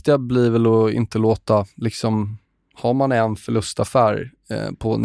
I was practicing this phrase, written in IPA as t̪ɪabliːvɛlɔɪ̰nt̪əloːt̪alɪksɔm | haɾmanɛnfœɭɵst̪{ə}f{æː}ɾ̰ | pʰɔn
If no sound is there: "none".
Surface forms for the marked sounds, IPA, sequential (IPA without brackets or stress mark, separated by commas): a, æː